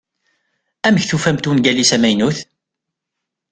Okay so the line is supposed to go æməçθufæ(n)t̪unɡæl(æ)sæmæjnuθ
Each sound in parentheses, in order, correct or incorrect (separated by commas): incorrect, incorrect